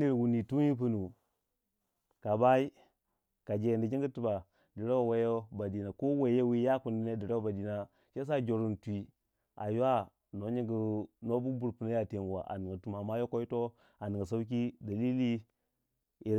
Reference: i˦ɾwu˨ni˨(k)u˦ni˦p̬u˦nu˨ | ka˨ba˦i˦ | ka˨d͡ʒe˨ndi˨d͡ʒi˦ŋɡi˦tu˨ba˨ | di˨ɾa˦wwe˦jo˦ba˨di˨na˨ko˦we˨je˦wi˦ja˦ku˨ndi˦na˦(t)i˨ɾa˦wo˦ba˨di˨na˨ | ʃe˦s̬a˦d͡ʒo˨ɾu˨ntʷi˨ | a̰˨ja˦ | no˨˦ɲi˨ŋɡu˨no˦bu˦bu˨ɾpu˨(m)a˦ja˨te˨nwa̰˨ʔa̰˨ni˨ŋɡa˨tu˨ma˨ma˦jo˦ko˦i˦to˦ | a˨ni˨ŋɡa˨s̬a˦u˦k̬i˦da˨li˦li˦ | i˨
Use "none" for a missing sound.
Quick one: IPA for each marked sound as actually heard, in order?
t, d, n

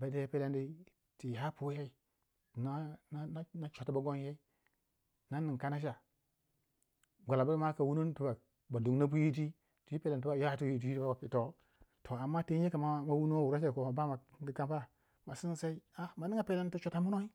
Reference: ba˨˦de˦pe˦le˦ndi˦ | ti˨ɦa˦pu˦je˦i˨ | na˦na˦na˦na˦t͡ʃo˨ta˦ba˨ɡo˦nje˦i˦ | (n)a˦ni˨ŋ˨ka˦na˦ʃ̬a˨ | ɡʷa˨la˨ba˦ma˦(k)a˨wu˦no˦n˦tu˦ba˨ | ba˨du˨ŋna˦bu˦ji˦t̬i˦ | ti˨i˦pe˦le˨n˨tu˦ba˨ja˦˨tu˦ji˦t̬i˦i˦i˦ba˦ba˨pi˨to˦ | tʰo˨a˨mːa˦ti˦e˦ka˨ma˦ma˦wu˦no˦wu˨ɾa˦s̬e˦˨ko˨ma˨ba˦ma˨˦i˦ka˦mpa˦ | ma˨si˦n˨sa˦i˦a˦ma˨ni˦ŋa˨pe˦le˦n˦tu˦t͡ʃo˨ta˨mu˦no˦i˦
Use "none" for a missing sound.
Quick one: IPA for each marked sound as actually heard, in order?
n, k

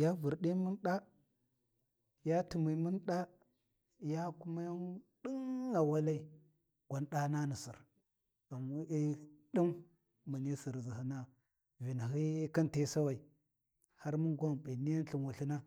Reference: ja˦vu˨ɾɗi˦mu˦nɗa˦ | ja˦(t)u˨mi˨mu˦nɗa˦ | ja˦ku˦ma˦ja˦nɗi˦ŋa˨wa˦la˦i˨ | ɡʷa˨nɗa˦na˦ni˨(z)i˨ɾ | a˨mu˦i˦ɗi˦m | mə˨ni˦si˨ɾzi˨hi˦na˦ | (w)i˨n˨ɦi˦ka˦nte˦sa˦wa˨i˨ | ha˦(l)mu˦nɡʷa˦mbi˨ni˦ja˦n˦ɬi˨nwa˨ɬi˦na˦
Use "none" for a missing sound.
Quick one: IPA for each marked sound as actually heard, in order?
t, s, v, ɾ

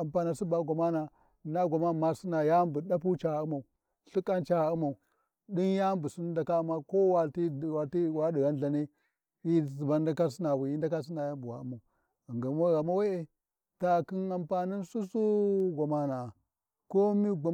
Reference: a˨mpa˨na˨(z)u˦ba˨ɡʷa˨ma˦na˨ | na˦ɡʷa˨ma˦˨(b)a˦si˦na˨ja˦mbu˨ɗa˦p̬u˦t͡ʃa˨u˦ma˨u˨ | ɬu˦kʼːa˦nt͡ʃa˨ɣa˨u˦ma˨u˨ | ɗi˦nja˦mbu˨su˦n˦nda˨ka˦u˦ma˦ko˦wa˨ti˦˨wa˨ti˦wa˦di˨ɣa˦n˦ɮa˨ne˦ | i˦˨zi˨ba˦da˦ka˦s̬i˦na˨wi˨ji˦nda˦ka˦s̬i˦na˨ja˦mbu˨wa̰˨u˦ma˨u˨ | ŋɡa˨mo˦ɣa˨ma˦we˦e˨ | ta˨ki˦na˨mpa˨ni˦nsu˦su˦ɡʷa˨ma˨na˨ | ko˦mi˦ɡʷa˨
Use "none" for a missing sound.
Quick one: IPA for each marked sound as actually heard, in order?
s, m

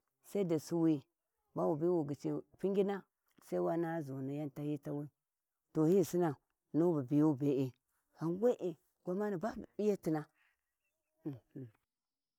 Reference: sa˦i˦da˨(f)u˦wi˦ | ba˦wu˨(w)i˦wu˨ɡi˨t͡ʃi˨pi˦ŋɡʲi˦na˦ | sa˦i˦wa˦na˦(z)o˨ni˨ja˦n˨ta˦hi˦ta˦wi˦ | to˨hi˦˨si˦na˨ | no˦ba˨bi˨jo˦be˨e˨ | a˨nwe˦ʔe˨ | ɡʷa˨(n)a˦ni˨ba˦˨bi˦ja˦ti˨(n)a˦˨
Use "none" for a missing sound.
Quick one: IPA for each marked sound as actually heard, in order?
s, b, z, m, n

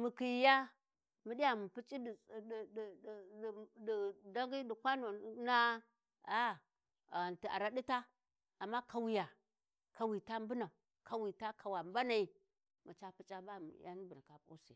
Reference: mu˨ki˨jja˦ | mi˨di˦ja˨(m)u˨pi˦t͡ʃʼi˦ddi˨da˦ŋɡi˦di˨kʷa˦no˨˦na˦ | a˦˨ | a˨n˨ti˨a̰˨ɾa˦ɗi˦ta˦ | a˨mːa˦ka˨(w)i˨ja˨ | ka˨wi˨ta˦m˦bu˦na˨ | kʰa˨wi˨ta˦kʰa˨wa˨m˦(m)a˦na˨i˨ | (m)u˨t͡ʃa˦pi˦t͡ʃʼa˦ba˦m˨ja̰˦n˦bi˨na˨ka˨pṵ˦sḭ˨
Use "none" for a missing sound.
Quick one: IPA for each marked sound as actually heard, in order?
m, w, b, m

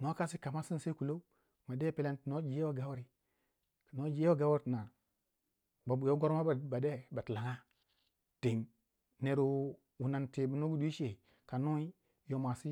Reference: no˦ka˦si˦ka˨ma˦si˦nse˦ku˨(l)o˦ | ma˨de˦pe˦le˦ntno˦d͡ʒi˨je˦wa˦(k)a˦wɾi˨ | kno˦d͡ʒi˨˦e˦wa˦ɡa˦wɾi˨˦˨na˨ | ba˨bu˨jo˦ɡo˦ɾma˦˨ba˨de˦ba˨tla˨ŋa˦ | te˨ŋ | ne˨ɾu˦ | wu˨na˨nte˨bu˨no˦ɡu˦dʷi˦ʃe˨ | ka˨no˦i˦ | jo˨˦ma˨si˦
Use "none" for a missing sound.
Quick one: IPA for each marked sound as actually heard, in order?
l, ɡ

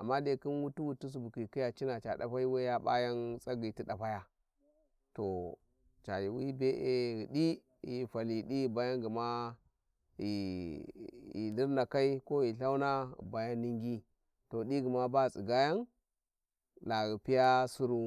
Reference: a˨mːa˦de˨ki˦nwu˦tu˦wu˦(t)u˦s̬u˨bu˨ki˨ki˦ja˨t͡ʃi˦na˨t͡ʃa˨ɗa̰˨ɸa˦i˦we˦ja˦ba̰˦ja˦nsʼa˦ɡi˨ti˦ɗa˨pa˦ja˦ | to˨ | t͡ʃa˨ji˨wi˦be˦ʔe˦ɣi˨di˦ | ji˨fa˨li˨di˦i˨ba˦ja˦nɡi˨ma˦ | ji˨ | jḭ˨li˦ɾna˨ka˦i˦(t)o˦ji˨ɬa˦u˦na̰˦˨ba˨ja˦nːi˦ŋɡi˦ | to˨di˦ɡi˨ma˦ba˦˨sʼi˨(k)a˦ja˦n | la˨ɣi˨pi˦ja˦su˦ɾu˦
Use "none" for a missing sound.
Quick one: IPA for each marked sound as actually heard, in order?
t, k, ɡ

